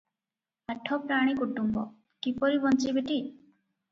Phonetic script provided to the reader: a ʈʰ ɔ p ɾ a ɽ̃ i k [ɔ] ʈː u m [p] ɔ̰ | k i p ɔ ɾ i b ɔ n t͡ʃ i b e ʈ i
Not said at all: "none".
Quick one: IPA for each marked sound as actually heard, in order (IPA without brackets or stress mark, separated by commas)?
u, b